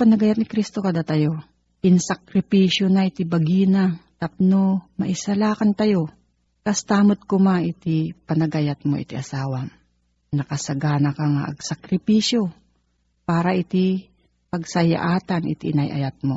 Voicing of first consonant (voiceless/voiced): voiceless